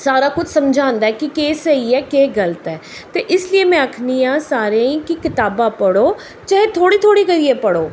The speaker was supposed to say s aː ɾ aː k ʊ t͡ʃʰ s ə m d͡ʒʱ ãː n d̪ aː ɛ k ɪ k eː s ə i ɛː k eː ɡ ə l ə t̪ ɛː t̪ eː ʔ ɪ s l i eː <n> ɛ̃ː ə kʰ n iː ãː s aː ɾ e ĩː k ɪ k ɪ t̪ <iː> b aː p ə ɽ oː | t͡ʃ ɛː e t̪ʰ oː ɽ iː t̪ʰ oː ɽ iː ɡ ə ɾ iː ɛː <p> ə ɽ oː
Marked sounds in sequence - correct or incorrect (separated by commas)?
incorrect, incorrect, correct